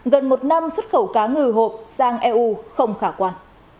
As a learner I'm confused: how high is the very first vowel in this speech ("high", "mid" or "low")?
mid